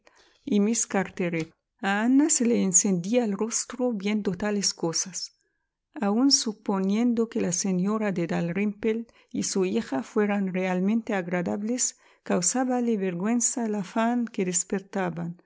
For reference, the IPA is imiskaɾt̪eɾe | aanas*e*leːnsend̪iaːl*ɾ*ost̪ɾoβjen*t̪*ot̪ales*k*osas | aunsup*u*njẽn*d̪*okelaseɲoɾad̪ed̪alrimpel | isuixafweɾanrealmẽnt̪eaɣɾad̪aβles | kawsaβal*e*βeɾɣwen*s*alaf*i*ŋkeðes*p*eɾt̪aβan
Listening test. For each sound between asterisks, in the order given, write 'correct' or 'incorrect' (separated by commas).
correct, incorrect, incorrect, correct, incorrect, correct, correct, correct, incorrect, correct